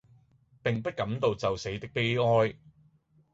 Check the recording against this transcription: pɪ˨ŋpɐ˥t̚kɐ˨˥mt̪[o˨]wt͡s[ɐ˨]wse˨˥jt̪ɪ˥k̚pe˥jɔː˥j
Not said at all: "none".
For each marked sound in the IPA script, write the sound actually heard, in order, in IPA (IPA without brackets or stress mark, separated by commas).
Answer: o˨, ɐ˨